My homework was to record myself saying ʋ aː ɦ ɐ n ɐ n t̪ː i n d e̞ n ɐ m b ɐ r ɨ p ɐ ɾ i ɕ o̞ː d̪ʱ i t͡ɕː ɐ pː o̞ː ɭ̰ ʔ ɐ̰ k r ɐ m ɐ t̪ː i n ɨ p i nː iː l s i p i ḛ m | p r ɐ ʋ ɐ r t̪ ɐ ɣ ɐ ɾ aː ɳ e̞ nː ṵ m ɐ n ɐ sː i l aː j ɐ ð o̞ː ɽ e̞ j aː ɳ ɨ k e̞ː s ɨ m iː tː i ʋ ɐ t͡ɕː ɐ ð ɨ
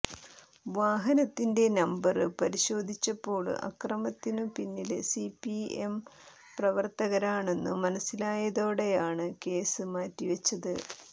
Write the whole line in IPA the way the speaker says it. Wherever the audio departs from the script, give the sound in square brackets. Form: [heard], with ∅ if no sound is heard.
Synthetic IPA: ʋ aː ɦ ɐ n ɐ [∅] t̪ː i n d e̞ n ɐ m b ɐ r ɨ p ɐ ɾ i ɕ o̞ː d̪ʱ i t͡ɕː ɐ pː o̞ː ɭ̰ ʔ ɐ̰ k r ɐ m ɐ t̪ː i n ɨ p i nː [i] l s i p i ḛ m | p r ɐ ʋ ɐ r t̪ ɐ ɣ ɐ ɾ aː ɳ e̞ nː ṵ m ɐ n ɐ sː i l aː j ɐ ð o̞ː ɽ e̞ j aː ɳ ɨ k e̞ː s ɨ m [aː] tː i ʋ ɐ t͡ɕː ɐ ð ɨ